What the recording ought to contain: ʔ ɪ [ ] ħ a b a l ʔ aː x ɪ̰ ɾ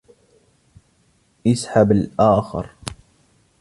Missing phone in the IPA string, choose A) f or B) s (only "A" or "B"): B